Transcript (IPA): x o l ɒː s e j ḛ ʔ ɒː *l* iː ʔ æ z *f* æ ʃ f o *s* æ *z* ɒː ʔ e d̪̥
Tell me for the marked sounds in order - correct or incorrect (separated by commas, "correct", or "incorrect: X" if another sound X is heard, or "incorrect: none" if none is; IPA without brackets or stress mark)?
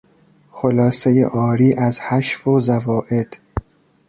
incorrect: ɾ, incorrect: h, incorrect: z, incorrect: v